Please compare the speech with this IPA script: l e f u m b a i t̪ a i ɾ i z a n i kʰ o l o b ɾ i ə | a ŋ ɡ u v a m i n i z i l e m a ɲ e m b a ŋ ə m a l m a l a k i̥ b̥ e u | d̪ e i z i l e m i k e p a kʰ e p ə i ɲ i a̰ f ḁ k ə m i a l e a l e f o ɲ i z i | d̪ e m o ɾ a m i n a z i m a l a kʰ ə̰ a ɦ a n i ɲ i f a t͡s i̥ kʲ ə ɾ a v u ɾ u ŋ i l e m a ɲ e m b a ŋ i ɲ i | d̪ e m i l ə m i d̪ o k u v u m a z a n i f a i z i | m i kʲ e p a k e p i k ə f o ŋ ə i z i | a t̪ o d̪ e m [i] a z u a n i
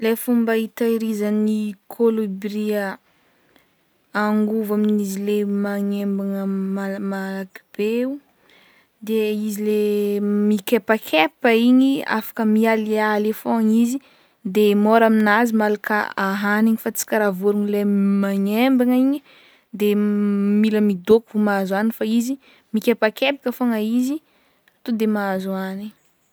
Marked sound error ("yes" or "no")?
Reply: yes